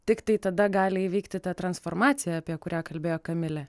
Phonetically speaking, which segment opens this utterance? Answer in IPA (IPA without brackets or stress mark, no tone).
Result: t̪ʲ